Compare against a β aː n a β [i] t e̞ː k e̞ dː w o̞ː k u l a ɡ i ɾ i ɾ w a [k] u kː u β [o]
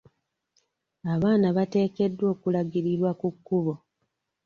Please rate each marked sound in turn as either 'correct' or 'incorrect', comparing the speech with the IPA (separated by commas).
incorrect, correct, correct